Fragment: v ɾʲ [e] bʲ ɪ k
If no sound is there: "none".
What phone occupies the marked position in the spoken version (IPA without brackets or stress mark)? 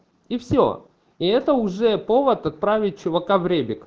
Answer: e